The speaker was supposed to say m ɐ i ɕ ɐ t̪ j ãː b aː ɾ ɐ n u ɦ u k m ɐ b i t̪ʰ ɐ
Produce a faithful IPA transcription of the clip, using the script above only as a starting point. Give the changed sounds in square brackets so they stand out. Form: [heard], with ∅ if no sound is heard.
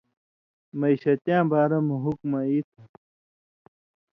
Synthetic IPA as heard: m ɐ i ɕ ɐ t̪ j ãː b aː ɾ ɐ [m] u ɦ u k m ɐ [∅] i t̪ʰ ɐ

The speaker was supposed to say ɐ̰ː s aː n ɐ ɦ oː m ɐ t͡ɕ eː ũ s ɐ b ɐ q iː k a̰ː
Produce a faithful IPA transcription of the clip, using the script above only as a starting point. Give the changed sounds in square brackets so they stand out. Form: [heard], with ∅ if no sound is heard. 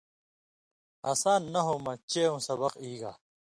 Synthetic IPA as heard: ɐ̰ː s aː [nː] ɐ ɦ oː m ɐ t͡ɕ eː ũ s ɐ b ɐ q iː [ɡ] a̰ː

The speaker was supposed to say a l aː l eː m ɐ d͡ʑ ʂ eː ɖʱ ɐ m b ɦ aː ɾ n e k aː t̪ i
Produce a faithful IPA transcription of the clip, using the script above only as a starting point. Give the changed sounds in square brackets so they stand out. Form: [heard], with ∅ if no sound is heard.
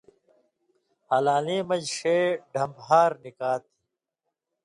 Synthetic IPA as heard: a l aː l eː m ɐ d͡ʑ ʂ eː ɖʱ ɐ m b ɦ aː ɾ n [i] k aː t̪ i

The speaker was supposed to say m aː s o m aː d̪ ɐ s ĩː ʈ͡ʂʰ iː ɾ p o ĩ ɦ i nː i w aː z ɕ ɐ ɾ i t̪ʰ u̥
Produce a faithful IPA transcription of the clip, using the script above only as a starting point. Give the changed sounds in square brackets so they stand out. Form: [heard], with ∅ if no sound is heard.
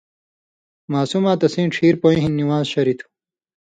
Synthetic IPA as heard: m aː s [u] m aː [t̪] ɐ s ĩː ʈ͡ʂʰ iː ɾ p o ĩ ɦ i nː i w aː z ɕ ɐ ɾ i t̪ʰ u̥

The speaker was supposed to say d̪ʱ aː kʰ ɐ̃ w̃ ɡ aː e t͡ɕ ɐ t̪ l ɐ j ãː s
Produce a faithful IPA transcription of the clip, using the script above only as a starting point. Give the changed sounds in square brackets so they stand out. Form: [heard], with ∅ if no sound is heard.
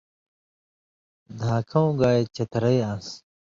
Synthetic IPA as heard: d̪ʱ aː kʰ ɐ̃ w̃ ɡ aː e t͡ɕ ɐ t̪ [ɾ] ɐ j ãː s

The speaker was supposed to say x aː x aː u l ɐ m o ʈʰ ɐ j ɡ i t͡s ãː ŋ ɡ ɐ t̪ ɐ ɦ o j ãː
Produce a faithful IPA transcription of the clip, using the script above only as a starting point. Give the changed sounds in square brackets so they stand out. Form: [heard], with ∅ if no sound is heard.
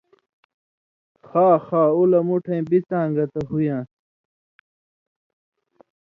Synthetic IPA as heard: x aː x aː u l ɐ m [u] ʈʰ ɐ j [b] i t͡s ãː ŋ ɡ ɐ t̪ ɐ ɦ [u] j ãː

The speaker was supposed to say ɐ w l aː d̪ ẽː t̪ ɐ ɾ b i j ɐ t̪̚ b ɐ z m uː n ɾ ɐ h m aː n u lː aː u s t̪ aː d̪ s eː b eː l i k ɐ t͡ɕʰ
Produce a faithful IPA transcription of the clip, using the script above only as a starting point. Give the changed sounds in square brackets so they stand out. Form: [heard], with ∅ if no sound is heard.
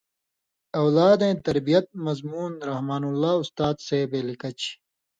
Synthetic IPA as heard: ɐ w l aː d̪ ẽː t̪ ɐ ɾ b i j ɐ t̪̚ [m] ɐ z m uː n ɾ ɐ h m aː n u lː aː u s t̪ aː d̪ s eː b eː l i k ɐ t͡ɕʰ

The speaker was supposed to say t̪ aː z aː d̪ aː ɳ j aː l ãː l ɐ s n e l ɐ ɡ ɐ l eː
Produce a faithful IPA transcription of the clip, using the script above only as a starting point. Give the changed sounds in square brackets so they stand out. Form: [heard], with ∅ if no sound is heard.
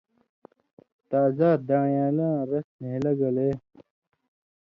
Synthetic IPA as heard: t̪ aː z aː d̪ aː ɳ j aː l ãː [ɾ] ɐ s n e l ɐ ɡ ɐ l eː

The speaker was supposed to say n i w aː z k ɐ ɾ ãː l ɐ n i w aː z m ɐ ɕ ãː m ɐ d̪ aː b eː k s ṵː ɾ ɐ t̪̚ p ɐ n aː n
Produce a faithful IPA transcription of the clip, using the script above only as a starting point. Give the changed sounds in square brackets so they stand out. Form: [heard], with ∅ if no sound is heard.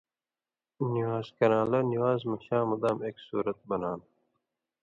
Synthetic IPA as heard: n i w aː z k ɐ ɾ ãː l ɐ n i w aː z m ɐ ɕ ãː m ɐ d̪ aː [m] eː k s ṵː ɾ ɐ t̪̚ [b] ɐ n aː n

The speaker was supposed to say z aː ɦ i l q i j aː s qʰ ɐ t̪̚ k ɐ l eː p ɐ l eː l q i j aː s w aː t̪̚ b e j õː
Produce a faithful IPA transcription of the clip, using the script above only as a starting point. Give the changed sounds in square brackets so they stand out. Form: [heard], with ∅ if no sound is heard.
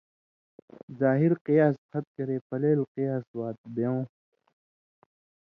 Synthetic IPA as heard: z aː ɦ i [ɾ] q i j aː s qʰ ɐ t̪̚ k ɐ [ɾ] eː p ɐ l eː l q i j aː s w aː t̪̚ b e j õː

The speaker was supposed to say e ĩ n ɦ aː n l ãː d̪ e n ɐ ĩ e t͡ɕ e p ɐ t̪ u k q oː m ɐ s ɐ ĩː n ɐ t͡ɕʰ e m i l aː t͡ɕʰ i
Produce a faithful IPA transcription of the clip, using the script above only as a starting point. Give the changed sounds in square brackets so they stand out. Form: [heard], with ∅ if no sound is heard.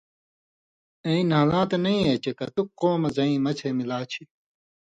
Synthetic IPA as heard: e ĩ n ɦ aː [∅] l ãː [t̪] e n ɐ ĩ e t͡ɕ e [k] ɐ t̪ u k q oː m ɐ [z] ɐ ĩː [m] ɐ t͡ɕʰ e m i l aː t͡ɕʰ i

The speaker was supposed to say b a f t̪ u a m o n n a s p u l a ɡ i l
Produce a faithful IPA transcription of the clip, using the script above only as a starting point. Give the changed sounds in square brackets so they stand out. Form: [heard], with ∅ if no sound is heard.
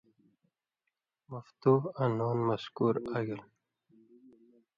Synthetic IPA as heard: [m] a f t̪ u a [n] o n [m] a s [k] u [ɾ] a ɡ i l

